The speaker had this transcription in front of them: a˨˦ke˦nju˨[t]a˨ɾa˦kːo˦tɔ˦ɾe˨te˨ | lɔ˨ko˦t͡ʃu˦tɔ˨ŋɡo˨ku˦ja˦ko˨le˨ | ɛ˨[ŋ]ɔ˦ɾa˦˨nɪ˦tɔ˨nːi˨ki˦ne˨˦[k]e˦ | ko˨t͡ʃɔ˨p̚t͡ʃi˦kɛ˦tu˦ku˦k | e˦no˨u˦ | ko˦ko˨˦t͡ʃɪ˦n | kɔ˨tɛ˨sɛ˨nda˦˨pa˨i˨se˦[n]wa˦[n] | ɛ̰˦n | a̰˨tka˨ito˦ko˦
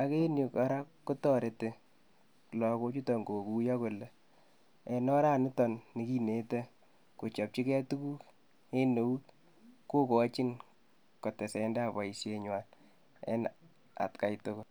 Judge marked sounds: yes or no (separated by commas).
no, no, no, no, yes